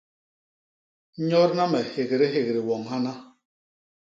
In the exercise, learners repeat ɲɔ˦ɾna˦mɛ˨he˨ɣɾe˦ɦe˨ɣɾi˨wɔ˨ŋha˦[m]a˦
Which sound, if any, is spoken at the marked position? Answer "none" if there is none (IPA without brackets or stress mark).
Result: n